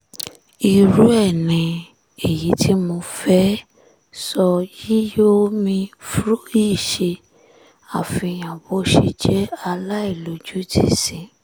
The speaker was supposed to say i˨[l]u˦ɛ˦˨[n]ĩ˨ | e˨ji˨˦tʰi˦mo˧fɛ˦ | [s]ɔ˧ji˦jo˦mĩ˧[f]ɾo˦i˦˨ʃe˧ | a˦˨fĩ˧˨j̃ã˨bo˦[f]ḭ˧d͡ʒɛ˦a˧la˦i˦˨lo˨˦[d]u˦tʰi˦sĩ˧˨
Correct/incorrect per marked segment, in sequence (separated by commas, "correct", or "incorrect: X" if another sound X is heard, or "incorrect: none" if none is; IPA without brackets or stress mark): incorrect: ɾ, correct, correct, correct, incorrect: ʃ, incorrect: d͡ʒ